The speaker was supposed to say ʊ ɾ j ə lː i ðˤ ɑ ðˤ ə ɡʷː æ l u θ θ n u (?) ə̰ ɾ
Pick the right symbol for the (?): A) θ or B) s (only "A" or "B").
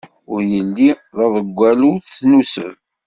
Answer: B